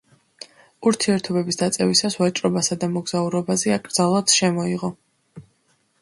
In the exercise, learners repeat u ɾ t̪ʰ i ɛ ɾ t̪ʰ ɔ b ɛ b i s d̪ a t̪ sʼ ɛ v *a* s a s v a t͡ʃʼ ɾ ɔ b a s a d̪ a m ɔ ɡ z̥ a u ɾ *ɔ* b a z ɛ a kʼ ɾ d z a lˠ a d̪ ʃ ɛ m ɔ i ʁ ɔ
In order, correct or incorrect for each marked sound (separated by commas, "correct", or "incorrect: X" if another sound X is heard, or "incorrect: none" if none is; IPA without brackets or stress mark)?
incorrect: i, correct